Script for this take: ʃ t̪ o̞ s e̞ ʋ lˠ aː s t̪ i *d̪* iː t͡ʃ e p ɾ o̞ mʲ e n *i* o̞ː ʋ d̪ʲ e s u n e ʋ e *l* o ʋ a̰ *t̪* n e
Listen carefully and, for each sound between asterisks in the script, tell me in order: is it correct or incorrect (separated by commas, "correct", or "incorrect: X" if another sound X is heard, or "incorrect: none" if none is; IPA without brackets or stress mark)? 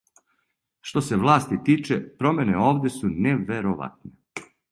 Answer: incorrect: t̪, incorrect: e, incorrect: ɾ, correct